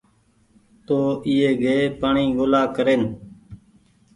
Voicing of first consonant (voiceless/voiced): voiceless